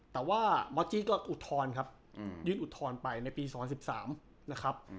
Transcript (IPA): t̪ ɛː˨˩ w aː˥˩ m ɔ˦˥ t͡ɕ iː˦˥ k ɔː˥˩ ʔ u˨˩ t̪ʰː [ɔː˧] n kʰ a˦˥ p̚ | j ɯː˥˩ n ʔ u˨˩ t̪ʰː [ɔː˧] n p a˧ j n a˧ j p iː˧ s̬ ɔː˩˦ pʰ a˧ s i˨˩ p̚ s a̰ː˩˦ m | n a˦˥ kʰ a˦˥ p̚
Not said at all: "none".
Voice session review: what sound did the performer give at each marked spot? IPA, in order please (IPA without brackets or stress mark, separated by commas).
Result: ɔː˧, ɔː˧